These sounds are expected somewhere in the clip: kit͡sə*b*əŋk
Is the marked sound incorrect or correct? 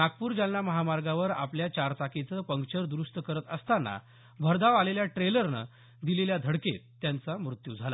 incorrect: p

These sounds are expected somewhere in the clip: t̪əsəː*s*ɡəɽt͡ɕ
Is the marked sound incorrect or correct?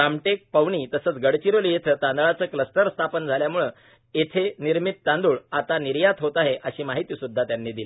incorrect: t͡s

